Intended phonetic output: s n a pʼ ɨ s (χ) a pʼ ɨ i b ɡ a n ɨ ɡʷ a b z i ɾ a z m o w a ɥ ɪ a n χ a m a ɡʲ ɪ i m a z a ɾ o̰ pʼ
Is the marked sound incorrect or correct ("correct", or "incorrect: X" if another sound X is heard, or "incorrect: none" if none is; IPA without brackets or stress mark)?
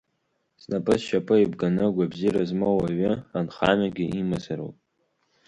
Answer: incorrect: ʃ